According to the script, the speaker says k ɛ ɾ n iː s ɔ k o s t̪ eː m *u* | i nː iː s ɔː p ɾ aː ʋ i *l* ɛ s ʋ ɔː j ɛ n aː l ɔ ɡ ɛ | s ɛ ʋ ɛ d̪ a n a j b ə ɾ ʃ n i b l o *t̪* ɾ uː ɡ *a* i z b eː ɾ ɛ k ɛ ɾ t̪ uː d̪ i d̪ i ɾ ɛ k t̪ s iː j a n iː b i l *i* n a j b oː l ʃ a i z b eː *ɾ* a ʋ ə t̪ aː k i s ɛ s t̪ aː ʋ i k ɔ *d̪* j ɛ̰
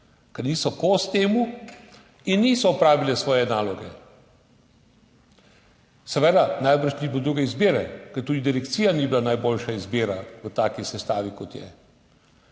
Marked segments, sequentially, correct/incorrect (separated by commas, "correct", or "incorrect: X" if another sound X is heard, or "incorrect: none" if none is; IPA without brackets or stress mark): correct, correct, incorrect: d̪, incorrect: ɛ, incorrect: a, correct, incorrect: t̪